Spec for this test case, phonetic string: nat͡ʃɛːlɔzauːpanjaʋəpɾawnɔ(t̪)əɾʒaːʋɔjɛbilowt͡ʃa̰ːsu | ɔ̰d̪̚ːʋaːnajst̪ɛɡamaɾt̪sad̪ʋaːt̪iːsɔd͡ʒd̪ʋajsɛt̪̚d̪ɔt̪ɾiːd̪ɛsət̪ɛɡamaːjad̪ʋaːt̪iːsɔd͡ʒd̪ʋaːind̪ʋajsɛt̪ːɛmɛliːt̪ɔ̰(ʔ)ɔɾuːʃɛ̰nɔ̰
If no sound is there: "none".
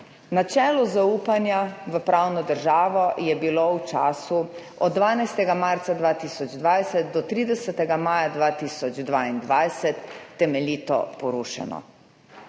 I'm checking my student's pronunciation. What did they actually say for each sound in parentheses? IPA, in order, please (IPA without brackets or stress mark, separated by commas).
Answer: d̪, p